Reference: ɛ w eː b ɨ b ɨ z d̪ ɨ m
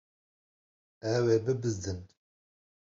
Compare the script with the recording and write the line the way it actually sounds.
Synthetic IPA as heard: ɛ w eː b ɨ b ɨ z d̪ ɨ n